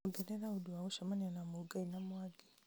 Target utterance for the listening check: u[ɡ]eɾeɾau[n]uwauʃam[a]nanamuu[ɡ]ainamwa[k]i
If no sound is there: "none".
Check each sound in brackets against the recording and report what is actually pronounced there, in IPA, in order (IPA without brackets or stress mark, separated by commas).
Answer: ɡ, d, a, ɡ, ɡ